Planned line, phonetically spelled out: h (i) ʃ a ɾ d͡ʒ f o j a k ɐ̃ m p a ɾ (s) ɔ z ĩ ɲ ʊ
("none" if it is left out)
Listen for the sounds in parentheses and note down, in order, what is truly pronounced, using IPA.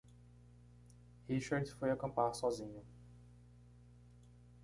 i, s

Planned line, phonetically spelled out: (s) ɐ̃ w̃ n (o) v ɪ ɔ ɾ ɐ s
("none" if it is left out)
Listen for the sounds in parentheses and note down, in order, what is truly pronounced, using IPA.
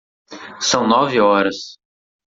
s, ɔ

